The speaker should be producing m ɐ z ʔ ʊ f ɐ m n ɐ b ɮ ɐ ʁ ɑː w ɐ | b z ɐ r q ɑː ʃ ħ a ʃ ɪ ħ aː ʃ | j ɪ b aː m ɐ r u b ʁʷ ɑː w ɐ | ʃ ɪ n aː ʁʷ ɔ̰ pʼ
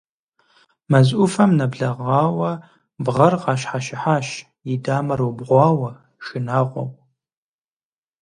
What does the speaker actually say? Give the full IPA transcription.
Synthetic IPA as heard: m ɐ z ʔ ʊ f ɐ m n ɐ b ɮ ɐ ʁ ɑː w ɐ | b ʁ ɐ r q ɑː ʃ ħ a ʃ ɪ ħ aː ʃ | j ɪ d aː m ɐ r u b ʁʷ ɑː w ɐ | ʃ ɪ n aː ʁʷ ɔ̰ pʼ

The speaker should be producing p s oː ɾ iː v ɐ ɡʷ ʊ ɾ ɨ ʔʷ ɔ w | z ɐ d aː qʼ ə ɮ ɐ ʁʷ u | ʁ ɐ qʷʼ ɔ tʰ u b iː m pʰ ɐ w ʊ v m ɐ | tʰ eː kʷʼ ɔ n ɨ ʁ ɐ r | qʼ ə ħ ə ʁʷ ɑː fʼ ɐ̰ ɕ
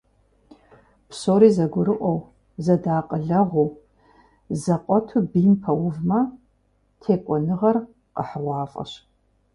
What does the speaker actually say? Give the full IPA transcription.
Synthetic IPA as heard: p s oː ɾ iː z ɐ ɡʷ ʊ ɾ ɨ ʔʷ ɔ w | z ɐ d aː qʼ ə ɮ ɐ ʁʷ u | z ɐ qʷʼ ɔ tʰ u b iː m pʰ ɐ w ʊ v m ɐ | tʰ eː kʷʼ ɔ n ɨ ʁ ɐ r | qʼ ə ħ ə ʁʷ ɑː fʼ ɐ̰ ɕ

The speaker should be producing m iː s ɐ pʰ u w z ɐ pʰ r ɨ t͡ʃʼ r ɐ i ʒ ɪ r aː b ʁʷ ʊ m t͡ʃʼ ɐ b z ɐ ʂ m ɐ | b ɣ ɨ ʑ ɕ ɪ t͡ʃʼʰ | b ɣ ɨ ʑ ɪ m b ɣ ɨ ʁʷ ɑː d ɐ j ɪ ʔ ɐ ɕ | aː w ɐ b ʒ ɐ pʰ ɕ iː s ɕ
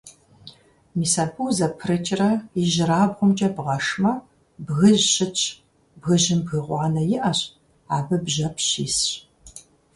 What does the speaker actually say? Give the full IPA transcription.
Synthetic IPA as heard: m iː s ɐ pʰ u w z ɐ pʰ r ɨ t͡ʃʼ r ɐ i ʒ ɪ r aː b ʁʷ ʊ m t͡ʃʼ ɐ b ʁ ɐ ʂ m ɐ | b ɣ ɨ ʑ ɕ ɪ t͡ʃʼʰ | b ɣ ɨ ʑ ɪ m b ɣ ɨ ʁʷ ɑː n ɐ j ɪ ʔ ɐ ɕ | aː b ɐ b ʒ ɐ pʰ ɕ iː s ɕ

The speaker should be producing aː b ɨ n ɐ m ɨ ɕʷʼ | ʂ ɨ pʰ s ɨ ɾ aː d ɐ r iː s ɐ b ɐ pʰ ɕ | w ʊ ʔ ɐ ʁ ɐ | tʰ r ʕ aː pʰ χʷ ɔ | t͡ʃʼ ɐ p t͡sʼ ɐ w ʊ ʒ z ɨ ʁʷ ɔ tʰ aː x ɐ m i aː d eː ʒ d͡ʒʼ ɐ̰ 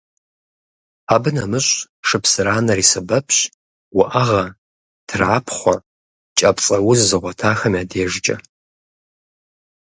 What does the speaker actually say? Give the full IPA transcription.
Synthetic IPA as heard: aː b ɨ n ɐ m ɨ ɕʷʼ | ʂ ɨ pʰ s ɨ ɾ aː n ɐ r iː s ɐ b ɐ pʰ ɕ | w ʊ ʔ ɐ ʁ ɐ | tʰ r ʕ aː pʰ χʷ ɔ | t͡ʃʼ ɐ p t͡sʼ ɐ w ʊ z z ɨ ʁʷ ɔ tʰ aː x ɐ m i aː d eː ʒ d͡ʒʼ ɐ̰

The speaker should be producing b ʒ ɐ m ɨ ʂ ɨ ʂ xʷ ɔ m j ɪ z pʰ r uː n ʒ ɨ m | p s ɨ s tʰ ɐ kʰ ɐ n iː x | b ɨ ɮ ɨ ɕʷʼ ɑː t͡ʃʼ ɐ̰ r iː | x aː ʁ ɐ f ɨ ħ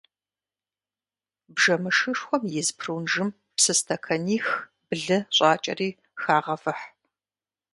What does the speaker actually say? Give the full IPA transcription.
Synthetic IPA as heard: b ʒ ɐ m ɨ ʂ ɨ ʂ xʷ ɔ m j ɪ z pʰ r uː n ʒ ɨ m | p s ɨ s tʰ ɐ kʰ ɐ n iː x | b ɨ ɮ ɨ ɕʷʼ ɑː t͡ʃʼ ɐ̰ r iː | x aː ʁ ɐ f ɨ ħ

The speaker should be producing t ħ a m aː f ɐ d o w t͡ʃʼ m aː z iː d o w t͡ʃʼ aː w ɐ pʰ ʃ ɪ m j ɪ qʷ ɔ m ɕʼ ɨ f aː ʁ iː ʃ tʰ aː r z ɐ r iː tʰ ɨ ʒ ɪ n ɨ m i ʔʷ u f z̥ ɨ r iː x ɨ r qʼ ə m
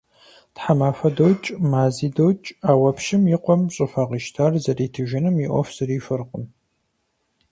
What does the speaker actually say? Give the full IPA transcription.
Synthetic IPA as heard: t ħ a m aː f ɐ d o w t͡ʃʼ m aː z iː d o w t͡ʃʼ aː w ɐ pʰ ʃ ɪ m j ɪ qʷ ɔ m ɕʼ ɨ f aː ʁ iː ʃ tʰ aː r z ɐ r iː tʰ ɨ ʒ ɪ n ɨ m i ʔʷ ɔ f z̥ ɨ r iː f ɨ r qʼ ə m

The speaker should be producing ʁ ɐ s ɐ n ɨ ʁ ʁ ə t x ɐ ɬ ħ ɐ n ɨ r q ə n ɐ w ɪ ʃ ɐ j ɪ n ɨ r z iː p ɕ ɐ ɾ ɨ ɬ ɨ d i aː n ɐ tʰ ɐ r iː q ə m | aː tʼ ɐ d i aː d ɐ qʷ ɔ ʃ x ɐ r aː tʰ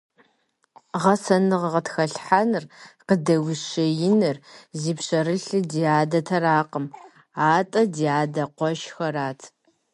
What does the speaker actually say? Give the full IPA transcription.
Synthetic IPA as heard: ʁ ɐ s ɐ n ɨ ʁ ʁ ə t x ɐ ɬ ħ a n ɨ r q ə d ɐ w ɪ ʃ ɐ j ɪ n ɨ r z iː p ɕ ɐ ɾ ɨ ɬ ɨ d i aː d ɐ tʰ ɐ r aː q ə m | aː tʼ ɐ d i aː d ɐ qʷ ɔ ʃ x ɐ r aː tʰ

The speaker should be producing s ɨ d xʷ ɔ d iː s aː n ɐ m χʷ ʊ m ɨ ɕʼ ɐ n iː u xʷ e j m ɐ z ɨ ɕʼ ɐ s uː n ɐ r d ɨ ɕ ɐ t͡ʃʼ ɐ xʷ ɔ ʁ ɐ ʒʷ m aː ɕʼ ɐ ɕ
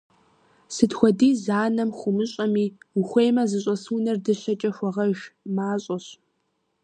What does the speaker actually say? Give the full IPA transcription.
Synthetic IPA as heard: s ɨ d xʷ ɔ d iː z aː n ɐ m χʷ ʊ m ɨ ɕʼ ɐ m iː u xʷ e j m ɐ z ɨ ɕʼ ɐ s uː n ɐ r d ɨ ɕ ɐ t͡ʃʼ ɐ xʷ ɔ ʁ ɐ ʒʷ m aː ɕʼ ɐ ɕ

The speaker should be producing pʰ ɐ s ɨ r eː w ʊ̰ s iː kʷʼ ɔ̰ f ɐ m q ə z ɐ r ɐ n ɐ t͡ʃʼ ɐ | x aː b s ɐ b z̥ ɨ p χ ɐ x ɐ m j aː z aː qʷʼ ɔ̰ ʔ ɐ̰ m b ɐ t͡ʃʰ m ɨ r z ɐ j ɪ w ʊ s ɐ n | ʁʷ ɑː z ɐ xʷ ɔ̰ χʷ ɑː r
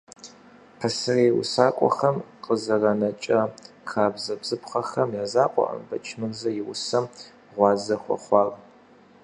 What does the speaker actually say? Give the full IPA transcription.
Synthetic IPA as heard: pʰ ɐ s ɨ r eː w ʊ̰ s aː kʷʼ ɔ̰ x ɐ m q ə z ɐ r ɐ n ɐ t͡ʃʼ ɐ | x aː b z ɐ b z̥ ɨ p χ ɐ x ɐ m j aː z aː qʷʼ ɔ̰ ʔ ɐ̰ m b ɐ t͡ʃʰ m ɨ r z ɐ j ɪ w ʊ s ɐ m | ʁʷ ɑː z ɐ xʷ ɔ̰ χʷ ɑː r

